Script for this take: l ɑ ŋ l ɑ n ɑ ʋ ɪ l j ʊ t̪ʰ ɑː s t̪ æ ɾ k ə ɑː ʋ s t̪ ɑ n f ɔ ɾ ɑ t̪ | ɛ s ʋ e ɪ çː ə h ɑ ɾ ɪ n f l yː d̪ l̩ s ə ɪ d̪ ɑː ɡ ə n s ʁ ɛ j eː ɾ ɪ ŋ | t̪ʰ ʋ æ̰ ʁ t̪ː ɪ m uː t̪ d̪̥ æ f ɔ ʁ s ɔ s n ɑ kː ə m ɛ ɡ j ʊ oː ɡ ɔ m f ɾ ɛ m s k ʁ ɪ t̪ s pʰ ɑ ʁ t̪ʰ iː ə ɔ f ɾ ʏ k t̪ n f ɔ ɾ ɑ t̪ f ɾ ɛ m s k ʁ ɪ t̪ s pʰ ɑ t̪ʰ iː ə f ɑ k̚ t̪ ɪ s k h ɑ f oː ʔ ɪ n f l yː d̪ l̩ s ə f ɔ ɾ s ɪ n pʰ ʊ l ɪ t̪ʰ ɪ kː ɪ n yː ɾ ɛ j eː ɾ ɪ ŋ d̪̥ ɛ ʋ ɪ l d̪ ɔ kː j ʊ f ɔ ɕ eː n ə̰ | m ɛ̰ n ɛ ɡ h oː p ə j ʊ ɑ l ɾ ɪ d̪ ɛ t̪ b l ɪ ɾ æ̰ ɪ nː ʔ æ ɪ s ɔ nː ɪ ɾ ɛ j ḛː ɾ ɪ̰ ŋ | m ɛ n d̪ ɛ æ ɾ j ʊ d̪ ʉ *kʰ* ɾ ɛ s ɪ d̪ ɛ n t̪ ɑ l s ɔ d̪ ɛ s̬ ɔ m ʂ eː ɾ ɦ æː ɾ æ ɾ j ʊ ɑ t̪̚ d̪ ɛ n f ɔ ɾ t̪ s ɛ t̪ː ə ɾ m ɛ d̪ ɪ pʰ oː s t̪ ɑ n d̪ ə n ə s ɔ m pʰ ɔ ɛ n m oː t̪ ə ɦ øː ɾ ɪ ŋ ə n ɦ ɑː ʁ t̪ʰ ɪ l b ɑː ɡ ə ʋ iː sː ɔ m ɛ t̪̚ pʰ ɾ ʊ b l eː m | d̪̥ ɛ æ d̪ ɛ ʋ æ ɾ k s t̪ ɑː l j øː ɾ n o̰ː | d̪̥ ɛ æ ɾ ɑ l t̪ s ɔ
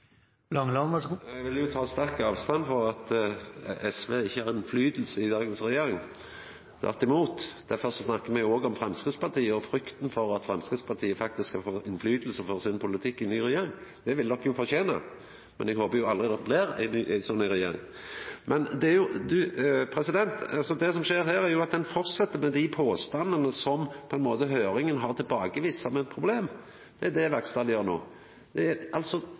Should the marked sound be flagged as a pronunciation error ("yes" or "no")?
yes